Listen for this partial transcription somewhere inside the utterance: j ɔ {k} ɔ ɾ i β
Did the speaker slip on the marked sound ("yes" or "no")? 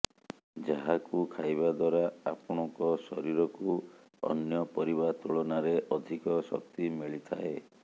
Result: yes